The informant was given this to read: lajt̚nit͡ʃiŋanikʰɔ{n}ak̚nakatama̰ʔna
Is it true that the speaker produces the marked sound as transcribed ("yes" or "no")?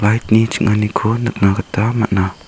yes